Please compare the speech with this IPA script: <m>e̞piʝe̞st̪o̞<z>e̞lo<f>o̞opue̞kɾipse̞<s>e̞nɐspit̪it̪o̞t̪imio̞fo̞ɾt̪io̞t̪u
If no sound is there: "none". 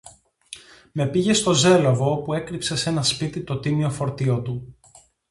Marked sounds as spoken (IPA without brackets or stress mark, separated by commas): m, z, v, s